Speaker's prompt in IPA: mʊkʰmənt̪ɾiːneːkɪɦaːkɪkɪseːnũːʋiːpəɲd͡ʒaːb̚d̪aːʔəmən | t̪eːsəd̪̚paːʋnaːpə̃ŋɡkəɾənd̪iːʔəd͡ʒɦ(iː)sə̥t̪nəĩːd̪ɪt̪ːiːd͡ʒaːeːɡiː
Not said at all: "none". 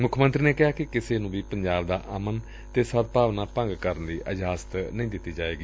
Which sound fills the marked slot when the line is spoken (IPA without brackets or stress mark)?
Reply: aː